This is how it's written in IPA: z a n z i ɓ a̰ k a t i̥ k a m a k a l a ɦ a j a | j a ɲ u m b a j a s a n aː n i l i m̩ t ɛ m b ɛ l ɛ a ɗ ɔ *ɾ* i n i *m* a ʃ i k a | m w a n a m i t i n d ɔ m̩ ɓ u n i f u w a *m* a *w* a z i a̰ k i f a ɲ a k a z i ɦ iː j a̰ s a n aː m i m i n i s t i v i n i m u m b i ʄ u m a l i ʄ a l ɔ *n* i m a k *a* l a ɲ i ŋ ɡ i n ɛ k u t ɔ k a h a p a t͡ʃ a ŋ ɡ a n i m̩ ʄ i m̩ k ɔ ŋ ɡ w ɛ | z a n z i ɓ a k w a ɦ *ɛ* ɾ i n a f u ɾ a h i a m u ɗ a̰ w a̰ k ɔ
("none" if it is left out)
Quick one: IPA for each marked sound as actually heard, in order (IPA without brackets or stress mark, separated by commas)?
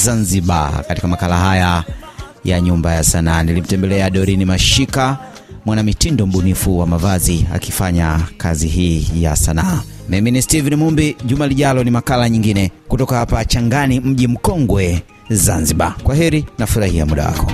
ɾ, m, m, v, n, a, ɛ